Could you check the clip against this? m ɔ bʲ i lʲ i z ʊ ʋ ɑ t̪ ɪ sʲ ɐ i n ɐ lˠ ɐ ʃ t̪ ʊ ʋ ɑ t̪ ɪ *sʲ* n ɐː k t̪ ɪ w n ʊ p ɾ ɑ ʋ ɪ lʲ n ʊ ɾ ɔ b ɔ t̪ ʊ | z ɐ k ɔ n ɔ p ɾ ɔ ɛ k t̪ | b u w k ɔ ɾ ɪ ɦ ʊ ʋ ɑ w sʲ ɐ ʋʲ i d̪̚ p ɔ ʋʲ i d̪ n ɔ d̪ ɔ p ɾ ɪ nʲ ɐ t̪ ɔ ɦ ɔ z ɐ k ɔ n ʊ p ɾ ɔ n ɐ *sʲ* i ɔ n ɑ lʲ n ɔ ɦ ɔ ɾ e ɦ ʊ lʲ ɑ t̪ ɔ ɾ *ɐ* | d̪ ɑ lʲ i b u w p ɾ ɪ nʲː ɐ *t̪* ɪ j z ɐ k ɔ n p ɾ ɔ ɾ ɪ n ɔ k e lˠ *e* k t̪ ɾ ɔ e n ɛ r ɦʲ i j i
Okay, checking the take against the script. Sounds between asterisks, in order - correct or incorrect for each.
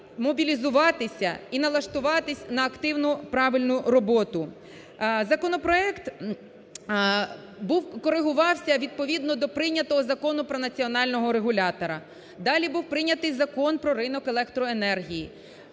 correct, incorrect, correct, correct, incorrect

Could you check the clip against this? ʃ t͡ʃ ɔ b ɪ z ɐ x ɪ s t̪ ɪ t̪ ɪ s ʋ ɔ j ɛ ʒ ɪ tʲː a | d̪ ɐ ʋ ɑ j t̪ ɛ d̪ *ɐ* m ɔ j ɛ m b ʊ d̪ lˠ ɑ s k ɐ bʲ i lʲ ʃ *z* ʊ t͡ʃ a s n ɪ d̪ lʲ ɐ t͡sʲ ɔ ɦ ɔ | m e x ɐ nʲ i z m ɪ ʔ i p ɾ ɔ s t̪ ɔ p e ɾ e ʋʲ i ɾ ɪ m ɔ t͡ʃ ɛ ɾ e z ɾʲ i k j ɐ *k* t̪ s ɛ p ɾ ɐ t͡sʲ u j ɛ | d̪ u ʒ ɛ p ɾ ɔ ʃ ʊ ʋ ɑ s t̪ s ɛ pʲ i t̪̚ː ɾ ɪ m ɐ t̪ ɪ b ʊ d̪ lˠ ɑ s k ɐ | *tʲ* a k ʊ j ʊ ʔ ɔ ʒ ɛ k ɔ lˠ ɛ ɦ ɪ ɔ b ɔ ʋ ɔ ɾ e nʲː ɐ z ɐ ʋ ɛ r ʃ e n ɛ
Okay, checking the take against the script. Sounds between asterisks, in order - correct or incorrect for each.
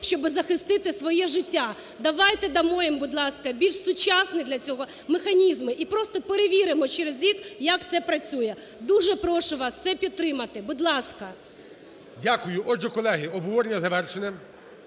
correct, incorrect, correct, incorrect

